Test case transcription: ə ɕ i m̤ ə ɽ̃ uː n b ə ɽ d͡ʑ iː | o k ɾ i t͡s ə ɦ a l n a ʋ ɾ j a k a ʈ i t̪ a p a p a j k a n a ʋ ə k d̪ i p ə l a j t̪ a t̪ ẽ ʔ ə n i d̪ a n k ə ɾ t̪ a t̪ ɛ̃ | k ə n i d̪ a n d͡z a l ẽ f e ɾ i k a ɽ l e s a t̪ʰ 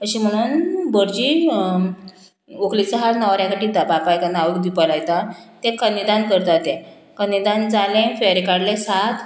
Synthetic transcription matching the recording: ə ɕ i m̤ ə ɽ̃ uː n b ə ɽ d͡ʑ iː | o k l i t͡s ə ɦ a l n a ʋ ɾ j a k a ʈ i t̪ a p a p a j k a n a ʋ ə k d̪ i p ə l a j t̪ a t̪ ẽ k ə n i d̪ a n k ə ɾ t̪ a t̪ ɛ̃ | k ə n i d̪ a n d͡z a l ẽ f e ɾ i k a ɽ l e s a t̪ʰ